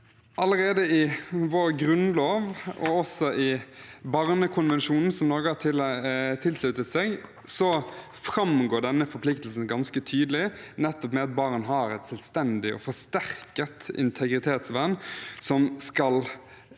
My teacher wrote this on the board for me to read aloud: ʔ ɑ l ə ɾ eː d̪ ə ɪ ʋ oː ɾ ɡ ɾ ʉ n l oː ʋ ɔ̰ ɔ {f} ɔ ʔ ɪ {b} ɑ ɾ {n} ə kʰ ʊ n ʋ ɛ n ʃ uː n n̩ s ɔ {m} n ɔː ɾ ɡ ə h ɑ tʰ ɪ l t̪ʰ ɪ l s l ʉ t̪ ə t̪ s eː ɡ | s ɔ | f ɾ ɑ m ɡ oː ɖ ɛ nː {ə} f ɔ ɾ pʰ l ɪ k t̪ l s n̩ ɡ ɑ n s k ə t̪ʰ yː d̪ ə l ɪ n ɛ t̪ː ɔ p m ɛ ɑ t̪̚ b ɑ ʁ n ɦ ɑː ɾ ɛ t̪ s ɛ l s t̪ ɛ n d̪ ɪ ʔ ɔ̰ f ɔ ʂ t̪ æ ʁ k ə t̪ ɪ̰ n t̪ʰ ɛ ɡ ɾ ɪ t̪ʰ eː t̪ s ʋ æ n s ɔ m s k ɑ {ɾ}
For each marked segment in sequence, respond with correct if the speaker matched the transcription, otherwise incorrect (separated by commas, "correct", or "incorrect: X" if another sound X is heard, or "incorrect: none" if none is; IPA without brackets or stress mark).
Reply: incorrect: s, correct, correct, correct, correct, incorrect: l